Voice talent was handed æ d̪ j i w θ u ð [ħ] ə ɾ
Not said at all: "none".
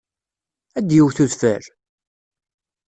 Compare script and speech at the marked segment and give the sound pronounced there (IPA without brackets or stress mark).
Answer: f